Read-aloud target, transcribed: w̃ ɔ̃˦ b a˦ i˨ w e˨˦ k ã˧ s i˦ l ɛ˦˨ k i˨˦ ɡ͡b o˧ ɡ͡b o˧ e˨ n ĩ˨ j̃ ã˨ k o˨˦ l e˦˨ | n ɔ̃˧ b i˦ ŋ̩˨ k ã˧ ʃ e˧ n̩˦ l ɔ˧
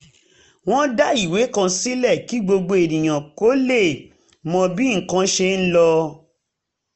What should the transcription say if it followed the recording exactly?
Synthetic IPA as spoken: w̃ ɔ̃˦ d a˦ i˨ w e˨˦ k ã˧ s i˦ l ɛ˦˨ k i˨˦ ɡ͡b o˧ ɡ͡b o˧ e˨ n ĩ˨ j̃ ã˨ k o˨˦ l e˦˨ | m ɔ̃˧ b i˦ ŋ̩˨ k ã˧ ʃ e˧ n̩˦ l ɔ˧

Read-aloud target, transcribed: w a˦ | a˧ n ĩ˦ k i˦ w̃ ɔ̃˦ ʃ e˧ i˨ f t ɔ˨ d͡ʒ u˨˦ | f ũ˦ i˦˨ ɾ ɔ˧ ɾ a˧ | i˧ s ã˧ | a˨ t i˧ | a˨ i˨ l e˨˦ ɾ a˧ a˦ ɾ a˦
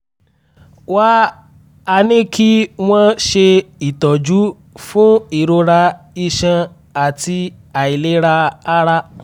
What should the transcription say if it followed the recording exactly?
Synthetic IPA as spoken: w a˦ | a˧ n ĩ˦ k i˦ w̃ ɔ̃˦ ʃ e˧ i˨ t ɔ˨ d͡ʒ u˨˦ | f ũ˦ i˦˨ ɾ o˧ ɾ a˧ | i˧ ʃ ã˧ | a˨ t i˧ | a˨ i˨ l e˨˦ ɾ a˧ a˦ ɾ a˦

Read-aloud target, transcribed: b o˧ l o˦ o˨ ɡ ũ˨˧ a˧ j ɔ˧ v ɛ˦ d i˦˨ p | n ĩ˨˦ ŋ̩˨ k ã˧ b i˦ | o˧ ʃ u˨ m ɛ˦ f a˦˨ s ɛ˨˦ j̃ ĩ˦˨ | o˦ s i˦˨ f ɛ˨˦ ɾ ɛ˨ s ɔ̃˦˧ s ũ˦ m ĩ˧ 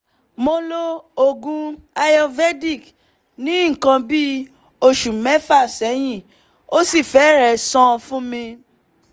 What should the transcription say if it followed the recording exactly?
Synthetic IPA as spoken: m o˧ l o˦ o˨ ɡ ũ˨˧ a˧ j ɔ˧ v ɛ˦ d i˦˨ k | n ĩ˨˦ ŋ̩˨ k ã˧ b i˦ | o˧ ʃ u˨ m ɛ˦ f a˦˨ s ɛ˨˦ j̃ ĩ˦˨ | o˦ s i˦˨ f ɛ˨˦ ɾ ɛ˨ s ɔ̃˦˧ f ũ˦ m ĩ˧

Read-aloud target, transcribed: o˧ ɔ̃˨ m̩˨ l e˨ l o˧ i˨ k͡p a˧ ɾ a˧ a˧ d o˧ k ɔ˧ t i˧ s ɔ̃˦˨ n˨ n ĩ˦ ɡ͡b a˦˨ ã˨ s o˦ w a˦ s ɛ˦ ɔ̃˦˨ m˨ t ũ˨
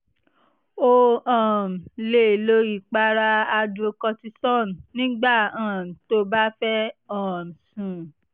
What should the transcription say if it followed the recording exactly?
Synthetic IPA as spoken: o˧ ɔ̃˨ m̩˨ l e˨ l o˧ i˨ k͡p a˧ ɾ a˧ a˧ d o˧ k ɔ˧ t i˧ s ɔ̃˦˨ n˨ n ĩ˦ ɡ͡b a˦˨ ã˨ t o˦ b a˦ f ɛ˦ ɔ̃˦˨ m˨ s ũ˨

